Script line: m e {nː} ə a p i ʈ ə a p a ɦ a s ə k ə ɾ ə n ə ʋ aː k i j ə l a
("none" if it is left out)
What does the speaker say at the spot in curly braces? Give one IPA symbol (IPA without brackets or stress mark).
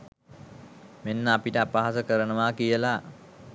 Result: nː